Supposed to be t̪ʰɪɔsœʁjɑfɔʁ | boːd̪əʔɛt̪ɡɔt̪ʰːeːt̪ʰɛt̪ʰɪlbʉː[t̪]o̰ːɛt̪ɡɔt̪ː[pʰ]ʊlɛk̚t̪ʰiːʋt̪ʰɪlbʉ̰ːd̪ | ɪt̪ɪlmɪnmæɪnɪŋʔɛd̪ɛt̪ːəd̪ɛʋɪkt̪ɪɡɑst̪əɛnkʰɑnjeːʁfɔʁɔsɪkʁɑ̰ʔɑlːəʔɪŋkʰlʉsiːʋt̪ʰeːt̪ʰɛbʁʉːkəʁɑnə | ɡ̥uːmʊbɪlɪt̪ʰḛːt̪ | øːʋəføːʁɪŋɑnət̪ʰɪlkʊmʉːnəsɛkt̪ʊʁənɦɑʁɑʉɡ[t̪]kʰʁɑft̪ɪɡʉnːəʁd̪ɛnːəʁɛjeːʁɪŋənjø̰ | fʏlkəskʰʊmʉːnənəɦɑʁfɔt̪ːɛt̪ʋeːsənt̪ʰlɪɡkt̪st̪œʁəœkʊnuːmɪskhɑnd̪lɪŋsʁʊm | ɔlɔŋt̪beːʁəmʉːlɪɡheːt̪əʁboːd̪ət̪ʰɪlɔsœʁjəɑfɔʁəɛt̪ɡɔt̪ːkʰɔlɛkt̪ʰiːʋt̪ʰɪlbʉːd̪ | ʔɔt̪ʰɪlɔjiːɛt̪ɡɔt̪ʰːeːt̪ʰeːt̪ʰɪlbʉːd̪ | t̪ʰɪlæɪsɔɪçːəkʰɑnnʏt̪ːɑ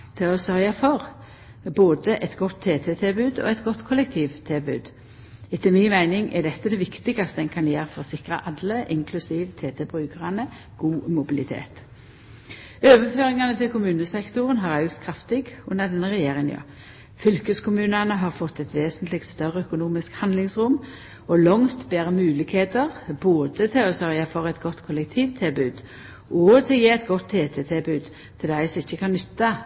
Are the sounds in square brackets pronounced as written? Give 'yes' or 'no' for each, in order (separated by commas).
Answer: no, no, yes